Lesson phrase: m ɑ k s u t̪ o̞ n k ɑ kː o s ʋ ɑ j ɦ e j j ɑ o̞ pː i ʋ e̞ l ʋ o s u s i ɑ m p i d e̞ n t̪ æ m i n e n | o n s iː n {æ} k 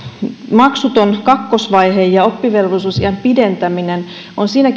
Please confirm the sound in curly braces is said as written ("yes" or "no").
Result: yes